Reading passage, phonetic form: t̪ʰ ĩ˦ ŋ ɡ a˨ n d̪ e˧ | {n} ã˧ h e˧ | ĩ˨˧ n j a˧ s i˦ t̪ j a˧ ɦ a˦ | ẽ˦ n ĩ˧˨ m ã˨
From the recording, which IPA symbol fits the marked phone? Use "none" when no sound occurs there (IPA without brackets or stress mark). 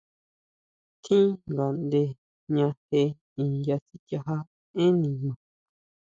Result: ɲ